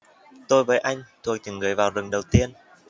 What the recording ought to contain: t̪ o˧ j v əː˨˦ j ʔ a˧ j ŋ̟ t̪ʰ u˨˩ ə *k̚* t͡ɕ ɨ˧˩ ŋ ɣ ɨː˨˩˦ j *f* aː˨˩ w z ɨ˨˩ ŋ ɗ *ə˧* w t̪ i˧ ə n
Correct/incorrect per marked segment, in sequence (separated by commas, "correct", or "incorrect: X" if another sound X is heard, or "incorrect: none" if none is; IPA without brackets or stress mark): correct, incorrect: v, incorrect: ə˨˩